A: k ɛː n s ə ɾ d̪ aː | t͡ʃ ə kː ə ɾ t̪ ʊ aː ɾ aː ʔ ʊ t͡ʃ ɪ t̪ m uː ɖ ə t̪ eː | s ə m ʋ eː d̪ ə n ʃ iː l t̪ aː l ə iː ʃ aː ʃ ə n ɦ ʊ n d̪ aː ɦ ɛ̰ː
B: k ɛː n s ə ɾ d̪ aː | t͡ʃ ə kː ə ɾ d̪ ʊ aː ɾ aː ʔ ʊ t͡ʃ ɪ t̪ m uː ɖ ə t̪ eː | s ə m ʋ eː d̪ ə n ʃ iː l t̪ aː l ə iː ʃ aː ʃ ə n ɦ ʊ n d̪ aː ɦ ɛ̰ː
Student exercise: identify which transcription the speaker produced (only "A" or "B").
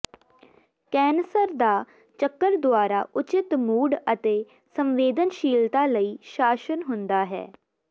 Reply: B